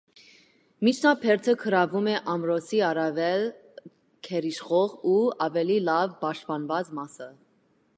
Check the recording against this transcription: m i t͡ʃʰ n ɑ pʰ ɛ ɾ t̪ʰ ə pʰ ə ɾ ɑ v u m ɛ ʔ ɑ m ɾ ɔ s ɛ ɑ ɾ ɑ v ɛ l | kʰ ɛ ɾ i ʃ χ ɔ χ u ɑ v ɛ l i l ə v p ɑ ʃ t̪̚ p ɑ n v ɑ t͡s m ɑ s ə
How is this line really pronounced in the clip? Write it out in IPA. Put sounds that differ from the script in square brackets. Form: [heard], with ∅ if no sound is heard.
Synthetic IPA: m i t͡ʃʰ n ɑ pʰ ɛ ɾ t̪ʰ ə [kʰ] ə ɾ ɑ v u m ɛ ʔ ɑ m ɾ ɔ s [i] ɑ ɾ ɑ v ɛ l | kʰ ɛ ɾ i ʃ χ ɔ [ʁ] u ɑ v ɛ l i l [ɑ] v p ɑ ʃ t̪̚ p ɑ n v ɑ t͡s m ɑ s ə